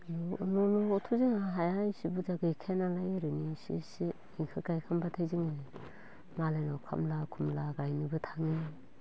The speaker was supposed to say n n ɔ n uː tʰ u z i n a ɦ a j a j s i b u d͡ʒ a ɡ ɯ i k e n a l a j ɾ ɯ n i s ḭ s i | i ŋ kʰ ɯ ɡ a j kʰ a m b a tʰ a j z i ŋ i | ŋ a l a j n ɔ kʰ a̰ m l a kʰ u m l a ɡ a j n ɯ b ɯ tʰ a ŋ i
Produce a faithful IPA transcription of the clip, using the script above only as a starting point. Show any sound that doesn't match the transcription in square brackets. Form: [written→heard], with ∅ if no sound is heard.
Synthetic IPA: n n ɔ n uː tʰ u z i [n→ŋ] a ɦ a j a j s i b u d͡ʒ a ɡ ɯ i [k→kʰ] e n a l a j ɾ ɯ n i s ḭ s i | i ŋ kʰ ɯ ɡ a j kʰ a m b a tʰ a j z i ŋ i | [ŋ→m] a l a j n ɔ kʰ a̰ m l a kʰ u m l a ɡ a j n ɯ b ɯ tʰ a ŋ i